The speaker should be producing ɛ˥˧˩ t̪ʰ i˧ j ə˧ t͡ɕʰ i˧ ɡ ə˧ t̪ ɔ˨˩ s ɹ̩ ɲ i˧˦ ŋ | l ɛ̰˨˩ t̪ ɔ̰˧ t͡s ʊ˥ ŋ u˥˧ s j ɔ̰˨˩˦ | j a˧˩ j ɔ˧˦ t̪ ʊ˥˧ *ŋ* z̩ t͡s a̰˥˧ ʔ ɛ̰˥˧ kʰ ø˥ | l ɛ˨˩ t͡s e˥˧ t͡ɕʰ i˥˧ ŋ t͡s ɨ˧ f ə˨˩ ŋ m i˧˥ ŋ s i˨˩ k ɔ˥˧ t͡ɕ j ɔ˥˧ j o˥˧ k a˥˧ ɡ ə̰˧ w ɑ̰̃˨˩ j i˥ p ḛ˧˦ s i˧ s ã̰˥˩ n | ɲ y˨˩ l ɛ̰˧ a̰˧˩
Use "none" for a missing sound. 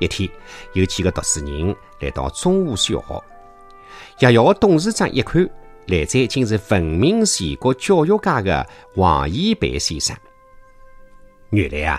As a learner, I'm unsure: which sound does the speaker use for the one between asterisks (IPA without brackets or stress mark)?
ŋ